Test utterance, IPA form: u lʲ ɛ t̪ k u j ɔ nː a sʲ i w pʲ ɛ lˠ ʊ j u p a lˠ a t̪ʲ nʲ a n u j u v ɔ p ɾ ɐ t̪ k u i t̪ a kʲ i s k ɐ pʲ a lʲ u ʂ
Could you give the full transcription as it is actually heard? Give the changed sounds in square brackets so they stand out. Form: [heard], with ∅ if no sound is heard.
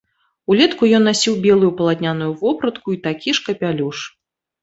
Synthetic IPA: u lʲ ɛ t̪ k u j ɔ nː a sʲ i w [bʲ] ɛ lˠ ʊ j u p [ɐ] lˠ a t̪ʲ nʲ a n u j u v ɔ p ɾ ɐ t̪ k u i t̪ a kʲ i [ʂ] k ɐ pʲ a lʲ u ʂ

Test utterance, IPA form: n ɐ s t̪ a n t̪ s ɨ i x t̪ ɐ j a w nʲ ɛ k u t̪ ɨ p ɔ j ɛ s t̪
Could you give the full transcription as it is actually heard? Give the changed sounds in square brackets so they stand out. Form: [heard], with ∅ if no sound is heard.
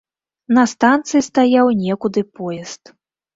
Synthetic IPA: n ɐ s t̪ a n t̪ s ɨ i [s] t̪ [a] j a w nʲ ɛ k u [d̪] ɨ p ɔ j ɛ s t̪

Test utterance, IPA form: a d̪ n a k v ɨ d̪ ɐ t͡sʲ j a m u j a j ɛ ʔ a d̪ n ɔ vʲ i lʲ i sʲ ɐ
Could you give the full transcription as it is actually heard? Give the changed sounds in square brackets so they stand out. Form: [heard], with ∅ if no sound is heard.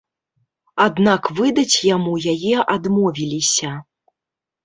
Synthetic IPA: a d̪ n a k v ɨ d̪ ɐ t͡sʲ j a m u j a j ɛ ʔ a d̪ [m] ɔ vʲ i lʲ i sʲ ɐ

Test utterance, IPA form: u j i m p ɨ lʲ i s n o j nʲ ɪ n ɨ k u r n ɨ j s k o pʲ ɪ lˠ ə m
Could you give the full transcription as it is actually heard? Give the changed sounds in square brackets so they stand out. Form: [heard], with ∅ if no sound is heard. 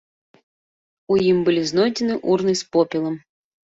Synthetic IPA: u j i m [b] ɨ lʲ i [z] n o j [dʲ] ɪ n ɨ [ʔ] u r n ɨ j s [p] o pʲ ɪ lˠ ə m

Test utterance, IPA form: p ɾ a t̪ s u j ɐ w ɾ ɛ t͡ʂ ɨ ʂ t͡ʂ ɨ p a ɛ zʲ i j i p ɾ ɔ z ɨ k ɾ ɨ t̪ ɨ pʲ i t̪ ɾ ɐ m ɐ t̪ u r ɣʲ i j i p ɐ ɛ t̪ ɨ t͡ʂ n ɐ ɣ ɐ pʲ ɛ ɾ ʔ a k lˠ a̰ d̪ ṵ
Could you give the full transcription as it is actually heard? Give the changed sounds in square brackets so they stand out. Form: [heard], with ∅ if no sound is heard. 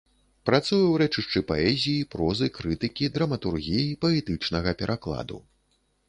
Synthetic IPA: p ɾ a t̪ s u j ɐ w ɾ ɛ t͡ʂ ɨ ʂ t͡ʂ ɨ p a ɛ zʲ i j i p ɾ ɔ z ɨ k ɾ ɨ t̪ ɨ [kʲ] i [d̪] ɾ ɐ m ɐ t̪ u r ɣʲ i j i p ɐ ɛ t̪ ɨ t͡ʂ n ɐ ɣ ɐ pʲ ɛ ɾ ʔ a k lˠ a̰ d̪ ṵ

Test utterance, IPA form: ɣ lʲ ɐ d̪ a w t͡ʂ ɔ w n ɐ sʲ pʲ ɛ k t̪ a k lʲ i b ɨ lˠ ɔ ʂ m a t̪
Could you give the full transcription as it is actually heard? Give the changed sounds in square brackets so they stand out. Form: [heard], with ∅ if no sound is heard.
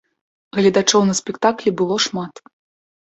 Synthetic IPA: ɣ lʲ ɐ d̪ a [∅] t͡ʂ ɔ w n ɐ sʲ pʲ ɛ k t̪ a k lʲ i b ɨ lˠ ɔ ʂ m a t̪

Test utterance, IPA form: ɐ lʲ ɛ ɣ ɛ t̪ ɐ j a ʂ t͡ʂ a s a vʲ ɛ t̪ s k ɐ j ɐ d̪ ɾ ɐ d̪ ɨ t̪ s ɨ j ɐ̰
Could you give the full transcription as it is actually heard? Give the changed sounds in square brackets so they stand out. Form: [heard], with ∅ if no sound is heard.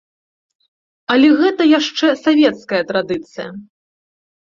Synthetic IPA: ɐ lʲ ɛ ɣ ɛ t̪ ɐ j a ʂ t͡ʂ [ɛ] s a vʲ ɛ t̪ s k ɐ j ɐ [t̪] ɾ [a] d̪ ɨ t̪ s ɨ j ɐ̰

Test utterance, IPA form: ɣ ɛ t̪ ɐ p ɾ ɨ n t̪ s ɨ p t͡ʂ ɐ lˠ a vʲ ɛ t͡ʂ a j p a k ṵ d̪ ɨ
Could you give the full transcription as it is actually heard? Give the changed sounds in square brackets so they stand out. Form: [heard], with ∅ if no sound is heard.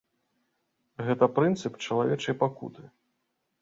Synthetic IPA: ɣ ɛ t̪ ɐ p ɾ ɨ n t̪ s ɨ p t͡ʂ ɐ lˠ a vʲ ɛ t͡ʂ [ɐ] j p a k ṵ [t̪] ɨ

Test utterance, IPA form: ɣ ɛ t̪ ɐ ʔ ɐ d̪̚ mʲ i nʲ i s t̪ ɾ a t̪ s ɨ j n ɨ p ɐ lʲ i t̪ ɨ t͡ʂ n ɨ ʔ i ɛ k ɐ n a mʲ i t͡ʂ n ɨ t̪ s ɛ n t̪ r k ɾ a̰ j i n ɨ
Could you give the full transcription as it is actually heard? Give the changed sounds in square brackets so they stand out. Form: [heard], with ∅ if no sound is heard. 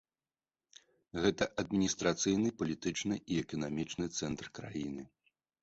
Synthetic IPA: ɣ ɛ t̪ ɐ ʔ ɐ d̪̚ mʲ i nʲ i s t̪ ɾ a t̪ s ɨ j n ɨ p ɐ lʲ i t̪ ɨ t͡ʂ n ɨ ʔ i ɛ k ɐ n a mʲ i t͡ʂ n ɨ t̪ s ɛ n t̪ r k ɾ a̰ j i n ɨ

